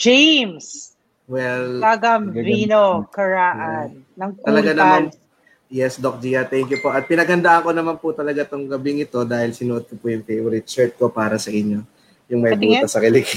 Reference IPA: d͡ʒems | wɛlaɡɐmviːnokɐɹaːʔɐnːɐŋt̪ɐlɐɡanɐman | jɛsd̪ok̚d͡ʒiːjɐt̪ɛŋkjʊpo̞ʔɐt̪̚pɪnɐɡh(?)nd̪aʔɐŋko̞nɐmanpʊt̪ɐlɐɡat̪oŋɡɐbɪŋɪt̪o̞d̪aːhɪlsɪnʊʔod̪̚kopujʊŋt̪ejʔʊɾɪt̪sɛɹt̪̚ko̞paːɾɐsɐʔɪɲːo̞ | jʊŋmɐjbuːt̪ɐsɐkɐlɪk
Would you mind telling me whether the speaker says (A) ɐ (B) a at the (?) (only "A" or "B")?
A